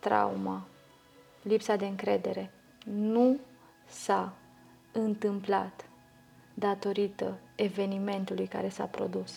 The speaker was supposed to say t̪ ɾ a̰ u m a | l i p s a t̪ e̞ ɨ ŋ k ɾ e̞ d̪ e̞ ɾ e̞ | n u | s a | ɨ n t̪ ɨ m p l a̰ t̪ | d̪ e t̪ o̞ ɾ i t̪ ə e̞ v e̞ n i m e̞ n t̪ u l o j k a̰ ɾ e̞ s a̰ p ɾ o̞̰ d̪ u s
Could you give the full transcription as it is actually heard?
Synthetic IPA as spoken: t̪ ɾ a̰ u m a | l i p s a d̪ e̞ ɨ ŋ k ɾ e̞ d̪ e̞ ɾ e̞ | n u | s a | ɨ n t̪ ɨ m p l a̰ t̪ | d̪ a t̪ o̞ ɾ i t̪ ə e̞ v e̞ n i m e̞ n t̪ u l u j k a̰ ɾ e̞ s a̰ p ɾ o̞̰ d̪ u s